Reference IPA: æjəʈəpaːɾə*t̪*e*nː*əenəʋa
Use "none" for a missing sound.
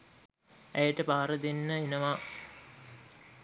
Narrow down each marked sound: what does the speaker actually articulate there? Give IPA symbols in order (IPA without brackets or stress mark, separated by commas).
d̪, nː